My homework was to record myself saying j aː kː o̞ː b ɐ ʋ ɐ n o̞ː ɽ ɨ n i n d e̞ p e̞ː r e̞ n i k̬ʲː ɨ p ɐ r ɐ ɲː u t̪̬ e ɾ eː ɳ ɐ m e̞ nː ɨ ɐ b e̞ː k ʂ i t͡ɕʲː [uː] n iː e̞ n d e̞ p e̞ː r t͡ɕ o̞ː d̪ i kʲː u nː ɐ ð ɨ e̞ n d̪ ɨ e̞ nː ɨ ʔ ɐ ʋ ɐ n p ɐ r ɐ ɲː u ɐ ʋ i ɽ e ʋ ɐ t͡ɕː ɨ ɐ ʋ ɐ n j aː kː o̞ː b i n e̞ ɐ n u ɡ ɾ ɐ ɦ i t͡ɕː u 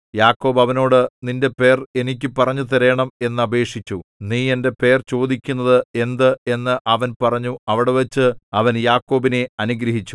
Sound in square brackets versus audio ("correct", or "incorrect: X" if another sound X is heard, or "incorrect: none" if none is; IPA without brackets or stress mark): incorrect: u